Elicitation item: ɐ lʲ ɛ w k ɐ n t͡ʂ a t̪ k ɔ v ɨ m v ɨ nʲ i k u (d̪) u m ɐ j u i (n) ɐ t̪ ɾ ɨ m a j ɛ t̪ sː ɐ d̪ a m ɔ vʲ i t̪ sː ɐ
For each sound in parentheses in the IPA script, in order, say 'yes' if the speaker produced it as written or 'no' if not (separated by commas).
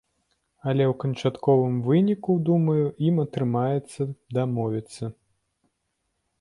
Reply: yes, no